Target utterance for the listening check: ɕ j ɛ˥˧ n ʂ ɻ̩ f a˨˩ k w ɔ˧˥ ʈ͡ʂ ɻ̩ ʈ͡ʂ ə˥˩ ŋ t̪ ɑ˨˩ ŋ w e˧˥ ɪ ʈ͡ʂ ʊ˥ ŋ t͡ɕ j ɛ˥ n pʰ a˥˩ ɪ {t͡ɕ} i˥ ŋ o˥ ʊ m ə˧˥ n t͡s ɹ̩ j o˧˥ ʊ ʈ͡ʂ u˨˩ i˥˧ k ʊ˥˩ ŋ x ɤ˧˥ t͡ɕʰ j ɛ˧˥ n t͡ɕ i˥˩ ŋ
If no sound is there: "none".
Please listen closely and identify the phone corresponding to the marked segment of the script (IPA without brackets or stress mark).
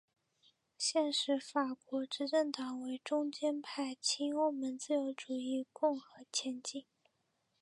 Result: t͡ɕʰ